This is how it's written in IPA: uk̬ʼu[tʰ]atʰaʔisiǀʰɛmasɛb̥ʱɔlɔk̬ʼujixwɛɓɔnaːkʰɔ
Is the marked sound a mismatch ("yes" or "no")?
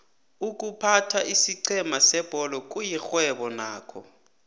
yes